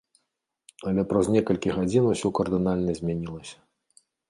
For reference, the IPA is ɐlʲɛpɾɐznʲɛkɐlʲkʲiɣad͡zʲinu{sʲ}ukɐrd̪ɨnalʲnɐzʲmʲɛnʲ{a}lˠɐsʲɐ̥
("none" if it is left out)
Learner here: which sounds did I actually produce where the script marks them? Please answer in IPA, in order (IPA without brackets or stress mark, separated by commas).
sʲ, i